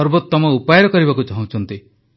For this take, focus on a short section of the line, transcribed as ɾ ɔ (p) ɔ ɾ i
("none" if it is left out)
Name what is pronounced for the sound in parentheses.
k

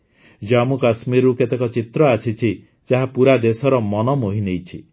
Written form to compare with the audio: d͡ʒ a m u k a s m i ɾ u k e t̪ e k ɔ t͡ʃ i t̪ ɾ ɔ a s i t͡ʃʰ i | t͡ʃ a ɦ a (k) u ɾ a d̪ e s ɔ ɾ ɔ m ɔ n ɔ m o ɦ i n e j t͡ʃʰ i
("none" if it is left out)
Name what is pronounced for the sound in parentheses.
p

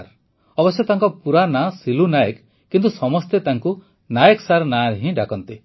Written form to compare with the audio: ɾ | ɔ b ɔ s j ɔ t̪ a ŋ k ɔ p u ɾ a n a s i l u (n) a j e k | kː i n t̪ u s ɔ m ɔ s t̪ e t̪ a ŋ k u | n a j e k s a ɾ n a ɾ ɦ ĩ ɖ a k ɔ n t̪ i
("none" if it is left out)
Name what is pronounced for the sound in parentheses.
n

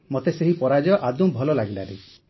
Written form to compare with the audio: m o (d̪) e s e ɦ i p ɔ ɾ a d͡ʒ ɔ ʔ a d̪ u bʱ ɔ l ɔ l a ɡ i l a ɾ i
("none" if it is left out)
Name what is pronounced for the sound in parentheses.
t̪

